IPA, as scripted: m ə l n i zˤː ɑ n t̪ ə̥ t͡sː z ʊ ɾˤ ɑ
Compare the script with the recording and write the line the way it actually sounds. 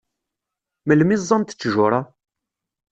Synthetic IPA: m ə l m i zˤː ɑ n t̪ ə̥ t͡sː ʒ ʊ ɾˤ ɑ